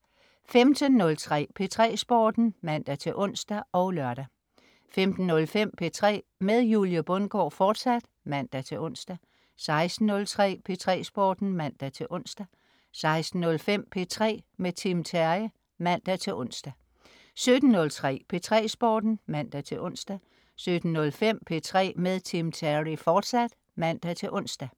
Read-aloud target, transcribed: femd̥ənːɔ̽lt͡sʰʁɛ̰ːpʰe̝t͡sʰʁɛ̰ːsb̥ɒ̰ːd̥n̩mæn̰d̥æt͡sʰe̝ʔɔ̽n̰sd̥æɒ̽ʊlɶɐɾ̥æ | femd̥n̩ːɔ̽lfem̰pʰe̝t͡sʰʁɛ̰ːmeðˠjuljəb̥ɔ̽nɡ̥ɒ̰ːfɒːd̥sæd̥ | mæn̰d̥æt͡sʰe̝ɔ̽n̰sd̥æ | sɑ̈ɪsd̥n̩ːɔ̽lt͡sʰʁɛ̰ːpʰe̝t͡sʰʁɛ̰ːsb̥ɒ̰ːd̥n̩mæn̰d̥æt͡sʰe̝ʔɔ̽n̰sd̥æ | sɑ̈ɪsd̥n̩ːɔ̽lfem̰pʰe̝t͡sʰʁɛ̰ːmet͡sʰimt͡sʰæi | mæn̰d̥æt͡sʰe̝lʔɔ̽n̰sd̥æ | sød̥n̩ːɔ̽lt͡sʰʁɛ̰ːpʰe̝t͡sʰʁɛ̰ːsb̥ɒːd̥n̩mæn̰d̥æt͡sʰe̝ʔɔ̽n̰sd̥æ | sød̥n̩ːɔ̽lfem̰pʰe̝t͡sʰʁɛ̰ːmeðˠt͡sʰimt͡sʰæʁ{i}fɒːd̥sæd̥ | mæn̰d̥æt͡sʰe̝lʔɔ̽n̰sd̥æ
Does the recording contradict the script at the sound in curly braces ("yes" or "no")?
no